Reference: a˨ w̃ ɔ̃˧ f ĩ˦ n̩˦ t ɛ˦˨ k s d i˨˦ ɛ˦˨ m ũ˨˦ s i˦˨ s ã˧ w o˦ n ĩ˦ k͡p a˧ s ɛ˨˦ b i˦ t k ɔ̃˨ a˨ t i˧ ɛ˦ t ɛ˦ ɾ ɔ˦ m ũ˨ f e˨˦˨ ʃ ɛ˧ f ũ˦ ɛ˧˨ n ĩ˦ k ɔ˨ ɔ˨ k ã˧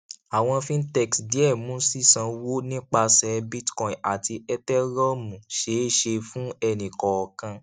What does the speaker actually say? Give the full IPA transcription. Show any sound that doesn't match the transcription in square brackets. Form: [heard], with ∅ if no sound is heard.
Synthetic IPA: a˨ w̃ ɔ̃˧ f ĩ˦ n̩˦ t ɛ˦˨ k s d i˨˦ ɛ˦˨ m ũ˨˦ s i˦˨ s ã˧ w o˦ n ĩ˦ k͡p a˧ s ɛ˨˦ b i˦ t k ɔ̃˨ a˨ t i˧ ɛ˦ t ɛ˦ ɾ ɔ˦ m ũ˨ [ʃ] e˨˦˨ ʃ [e˧] f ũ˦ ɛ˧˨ n [ĩ˨] k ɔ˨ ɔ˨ k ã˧